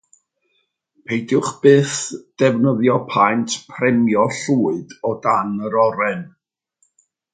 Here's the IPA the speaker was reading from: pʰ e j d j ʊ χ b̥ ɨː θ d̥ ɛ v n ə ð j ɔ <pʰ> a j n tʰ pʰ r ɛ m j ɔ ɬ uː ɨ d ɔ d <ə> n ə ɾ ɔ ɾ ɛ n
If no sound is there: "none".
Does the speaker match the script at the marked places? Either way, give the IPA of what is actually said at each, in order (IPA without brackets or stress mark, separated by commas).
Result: pʰ, a